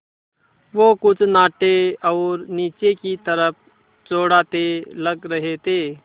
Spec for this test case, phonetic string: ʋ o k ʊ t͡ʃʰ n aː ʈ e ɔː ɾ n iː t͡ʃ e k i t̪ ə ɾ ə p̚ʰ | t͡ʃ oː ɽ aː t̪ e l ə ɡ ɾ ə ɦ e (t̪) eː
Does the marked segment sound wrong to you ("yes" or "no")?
no